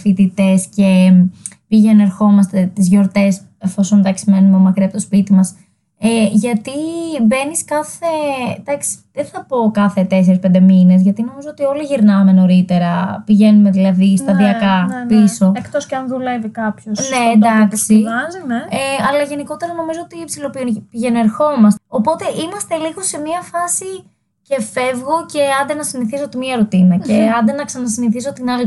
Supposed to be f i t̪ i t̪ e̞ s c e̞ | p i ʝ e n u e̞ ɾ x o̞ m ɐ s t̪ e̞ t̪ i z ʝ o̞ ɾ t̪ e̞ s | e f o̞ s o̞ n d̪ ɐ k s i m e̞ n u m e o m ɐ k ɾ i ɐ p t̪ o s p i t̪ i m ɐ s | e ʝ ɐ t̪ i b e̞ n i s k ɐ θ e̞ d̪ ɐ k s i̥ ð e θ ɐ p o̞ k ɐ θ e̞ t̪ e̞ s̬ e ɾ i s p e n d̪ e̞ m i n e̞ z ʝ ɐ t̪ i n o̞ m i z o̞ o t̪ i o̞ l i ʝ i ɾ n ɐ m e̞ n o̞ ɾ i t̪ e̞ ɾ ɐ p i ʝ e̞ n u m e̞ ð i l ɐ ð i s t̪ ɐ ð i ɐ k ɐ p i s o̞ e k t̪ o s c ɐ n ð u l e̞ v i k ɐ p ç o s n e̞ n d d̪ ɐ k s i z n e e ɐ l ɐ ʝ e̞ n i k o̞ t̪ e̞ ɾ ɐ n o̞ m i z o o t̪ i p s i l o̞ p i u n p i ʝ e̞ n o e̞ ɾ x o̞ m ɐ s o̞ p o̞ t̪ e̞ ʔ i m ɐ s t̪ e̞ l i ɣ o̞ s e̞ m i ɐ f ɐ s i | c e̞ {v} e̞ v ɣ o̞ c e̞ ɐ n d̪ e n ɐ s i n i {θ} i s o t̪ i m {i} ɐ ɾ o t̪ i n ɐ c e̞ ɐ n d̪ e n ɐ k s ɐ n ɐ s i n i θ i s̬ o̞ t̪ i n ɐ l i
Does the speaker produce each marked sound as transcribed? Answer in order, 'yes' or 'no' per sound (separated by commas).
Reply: no, yes, yes